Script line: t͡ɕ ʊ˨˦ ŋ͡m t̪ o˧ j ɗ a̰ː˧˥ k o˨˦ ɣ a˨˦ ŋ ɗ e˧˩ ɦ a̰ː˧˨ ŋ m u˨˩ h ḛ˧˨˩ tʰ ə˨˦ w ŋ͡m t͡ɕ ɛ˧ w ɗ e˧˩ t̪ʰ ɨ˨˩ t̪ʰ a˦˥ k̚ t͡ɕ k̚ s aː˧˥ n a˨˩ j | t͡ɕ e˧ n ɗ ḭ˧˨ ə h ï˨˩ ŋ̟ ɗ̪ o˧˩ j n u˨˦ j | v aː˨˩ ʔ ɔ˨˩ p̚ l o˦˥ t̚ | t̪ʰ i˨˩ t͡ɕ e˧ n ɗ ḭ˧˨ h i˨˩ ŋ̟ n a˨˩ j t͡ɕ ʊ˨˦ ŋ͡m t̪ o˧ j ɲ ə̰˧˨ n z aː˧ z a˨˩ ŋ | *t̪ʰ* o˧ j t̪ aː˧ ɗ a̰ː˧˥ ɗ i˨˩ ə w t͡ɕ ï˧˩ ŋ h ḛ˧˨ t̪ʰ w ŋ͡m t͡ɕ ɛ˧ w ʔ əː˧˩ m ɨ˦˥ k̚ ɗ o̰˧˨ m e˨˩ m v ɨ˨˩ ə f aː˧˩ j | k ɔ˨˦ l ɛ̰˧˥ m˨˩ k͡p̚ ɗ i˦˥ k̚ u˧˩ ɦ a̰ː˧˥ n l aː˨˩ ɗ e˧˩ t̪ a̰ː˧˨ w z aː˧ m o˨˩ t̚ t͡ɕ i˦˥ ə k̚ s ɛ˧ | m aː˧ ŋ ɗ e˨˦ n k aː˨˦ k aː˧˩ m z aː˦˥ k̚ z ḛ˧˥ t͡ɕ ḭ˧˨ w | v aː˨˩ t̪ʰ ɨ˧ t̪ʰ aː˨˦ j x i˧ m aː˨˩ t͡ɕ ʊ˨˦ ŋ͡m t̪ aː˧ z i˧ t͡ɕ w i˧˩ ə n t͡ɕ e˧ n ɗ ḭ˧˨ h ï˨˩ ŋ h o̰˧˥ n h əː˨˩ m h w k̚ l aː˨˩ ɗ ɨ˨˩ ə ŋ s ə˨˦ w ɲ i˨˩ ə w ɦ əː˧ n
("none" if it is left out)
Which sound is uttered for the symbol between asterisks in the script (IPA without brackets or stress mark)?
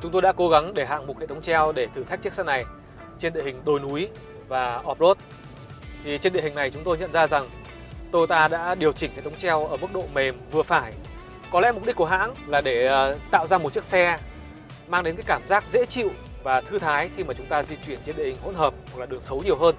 t̪